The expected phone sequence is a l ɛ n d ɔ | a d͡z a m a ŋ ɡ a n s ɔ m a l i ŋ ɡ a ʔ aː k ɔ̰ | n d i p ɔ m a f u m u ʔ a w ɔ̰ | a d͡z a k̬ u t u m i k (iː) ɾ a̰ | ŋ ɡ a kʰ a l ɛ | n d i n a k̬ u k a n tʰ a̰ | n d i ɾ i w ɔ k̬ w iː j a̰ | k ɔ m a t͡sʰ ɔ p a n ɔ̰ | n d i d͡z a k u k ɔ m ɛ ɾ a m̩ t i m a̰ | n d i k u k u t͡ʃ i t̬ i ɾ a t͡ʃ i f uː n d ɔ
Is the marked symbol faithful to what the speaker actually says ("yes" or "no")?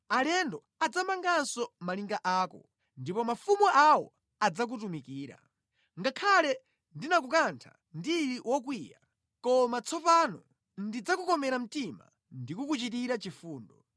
yes